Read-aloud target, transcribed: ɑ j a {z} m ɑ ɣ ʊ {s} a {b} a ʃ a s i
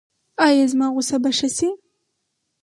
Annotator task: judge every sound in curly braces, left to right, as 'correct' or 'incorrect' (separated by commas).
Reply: correct, correct, correct